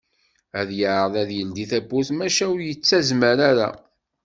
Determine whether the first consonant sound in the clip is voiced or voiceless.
voiced